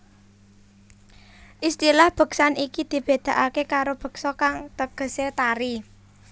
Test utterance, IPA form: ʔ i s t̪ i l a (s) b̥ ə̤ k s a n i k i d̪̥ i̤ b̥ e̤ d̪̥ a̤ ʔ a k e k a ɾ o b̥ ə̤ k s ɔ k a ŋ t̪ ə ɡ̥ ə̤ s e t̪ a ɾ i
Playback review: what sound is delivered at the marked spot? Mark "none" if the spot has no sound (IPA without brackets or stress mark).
h